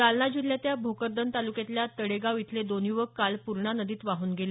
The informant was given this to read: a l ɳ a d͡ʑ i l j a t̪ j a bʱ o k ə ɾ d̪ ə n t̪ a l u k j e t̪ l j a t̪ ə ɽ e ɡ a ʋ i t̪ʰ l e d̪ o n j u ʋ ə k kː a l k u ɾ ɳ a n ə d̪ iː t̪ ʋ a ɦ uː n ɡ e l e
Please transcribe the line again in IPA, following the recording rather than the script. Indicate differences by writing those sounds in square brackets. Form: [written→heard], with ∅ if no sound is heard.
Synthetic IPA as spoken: a l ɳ a d͡ʑ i l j a t̪ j a bʱ o k ə ɾ d̪ ə n t̪ a l u k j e t̪ l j a t̪ ə ɽ e ɡ a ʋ i t̪ʰ l e d̪ o n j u ʋ ə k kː a l [k→p] u ɾ ɳ a n ə d̪ iː t̪ ʋ a ɦ uː n ɡ e l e